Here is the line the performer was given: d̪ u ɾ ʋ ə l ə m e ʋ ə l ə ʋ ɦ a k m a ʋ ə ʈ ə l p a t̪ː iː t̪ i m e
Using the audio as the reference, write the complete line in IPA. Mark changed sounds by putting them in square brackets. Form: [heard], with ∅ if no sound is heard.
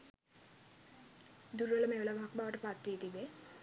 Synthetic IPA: d̪ u ɾ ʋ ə l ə m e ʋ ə l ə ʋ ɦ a k [b] a ʋ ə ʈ ə [∅] p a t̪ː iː t̪ i [b] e

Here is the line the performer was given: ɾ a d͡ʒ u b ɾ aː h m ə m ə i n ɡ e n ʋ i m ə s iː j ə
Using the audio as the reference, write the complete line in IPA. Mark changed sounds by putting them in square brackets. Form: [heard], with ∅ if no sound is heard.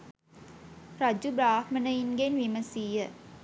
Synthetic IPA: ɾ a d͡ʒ u b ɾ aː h m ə [n] ə i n ɡ e n ʋ i m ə s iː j ə

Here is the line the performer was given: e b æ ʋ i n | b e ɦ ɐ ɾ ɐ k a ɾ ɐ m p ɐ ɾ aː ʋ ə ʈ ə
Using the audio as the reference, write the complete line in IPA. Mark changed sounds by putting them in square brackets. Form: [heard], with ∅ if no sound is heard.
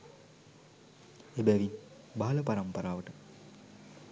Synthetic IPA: e b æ ʋ i n | b [a] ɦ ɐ [l] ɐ [p] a ɾ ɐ m p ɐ ɾ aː ʋ ə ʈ ə

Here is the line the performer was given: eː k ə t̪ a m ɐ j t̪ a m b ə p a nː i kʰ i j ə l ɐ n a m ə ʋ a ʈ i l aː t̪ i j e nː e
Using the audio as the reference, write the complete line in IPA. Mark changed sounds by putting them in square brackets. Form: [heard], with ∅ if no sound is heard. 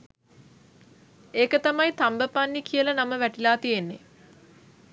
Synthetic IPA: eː k ə t̪ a m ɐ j t̪ a m b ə p a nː i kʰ i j ə l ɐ n a m ə ʋ [æ] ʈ i l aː t̪ i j e nː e

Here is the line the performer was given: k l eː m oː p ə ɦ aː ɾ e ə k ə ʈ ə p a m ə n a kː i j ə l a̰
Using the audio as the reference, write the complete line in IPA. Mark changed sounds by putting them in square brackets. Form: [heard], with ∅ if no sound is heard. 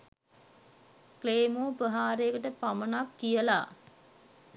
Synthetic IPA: k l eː m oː p ə ɦ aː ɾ e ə k ə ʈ ə p a m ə n a kː i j ə l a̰

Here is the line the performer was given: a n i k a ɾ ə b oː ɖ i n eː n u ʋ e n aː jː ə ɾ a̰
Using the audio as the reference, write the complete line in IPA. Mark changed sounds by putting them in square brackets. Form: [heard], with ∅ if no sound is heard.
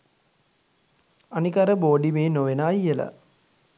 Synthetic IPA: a n i k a ɾ ə b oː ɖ i [m] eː n [o] ʋ e n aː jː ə [l] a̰

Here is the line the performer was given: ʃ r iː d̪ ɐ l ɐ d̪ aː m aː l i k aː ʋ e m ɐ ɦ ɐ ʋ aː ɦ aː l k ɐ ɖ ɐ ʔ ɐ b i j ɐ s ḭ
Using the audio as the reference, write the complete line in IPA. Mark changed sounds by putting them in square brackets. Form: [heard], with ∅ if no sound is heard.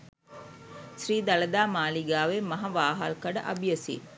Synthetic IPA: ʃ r iː d̪ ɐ l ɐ d̪ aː m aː l i [ɡ] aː ʋ e m ɐ ɦ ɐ ʋ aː ɦ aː l k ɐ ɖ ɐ ʔ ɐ b i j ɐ s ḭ

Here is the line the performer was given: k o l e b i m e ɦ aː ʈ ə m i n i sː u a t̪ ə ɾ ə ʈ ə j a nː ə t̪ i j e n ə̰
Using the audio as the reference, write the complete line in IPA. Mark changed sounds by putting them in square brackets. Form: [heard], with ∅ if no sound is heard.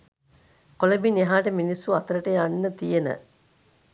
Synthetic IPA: k o l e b i [n] e ɦ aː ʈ ə m i n i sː u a t̪ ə ɾ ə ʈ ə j a nː ə t̪ i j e n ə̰

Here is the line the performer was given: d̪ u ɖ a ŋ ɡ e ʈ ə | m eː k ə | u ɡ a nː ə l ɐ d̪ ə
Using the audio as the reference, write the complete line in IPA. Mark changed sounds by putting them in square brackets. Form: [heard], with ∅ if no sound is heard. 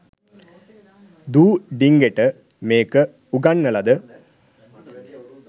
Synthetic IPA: d̪ [uː] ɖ [i] ŋ ɡ e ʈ ə | m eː k ə | u ɡ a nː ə l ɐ d̪ ə

